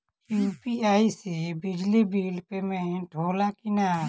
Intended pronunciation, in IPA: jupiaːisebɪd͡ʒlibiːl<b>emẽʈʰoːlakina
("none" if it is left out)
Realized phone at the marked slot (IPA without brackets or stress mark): p